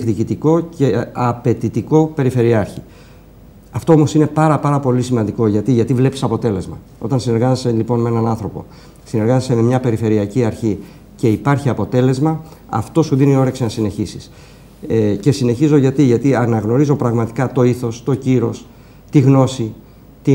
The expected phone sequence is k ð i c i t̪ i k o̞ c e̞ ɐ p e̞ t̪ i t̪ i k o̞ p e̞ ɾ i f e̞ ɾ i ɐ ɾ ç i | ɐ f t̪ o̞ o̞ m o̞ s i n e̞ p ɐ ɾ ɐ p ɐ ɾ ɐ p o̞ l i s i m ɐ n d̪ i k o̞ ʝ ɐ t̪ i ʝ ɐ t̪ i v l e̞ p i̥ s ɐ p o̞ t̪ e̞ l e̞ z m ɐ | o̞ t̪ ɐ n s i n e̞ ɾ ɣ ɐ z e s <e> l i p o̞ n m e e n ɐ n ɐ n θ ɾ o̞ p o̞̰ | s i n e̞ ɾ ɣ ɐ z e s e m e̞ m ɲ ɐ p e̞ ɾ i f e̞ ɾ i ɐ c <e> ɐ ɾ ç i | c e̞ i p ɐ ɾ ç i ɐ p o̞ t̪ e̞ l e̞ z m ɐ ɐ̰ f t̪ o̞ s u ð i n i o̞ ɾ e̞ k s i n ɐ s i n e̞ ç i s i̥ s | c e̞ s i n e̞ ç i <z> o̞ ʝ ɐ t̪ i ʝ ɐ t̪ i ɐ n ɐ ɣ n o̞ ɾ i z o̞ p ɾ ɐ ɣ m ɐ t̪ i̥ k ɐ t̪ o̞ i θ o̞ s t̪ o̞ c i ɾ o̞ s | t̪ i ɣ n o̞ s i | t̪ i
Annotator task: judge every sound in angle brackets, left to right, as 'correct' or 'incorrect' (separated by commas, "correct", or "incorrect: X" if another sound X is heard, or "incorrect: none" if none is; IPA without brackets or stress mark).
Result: correct, incorrect: i, correct